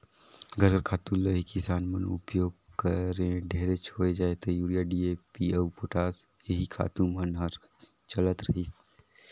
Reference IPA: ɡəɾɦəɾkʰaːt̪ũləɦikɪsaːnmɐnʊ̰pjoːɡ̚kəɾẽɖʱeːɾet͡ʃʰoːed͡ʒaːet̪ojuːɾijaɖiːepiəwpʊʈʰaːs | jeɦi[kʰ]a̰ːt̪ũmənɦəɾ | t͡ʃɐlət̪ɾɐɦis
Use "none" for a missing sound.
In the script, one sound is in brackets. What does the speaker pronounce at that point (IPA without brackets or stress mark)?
kʰ